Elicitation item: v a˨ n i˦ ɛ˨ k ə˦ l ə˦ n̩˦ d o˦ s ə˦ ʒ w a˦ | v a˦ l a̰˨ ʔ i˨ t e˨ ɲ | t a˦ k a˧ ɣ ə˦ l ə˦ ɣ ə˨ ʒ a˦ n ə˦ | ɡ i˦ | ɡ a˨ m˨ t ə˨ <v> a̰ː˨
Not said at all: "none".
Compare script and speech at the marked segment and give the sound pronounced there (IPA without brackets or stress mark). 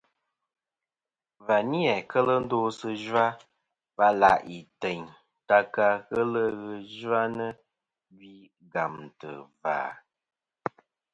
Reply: v